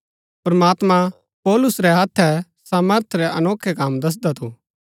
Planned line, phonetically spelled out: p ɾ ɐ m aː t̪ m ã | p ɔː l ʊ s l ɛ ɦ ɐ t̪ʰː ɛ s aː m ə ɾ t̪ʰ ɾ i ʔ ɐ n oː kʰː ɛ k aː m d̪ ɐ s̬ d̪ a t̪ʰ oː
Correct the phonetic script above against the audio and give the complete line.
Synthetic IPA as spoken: p ɾ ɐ m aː t̪ m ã | p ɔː l ʊ s ɾ ɛ ɦ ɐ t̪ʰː ɛ s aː m ə ɾ t̪ʰ ɾ ɛ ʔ ɐ n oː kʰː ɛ k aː m d̪ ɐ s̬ d̪ a t̪ʰ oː